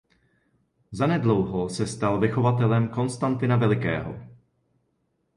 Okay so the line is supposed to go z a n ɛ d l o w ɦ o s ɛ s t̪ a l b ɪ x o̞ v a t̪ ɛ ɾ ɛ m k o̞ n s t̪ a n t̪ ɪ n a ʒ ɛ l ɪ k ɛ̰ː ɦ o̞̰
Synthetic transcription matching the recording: z a n ɛ d l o w ɦ o s ɛ s t̪ a l v ɪ x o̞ v a t̪ ɛ l ɛ m k o̞ n s t̪ a n t̪ ɪ n a v ɛ l ɪ k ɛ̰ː ɦ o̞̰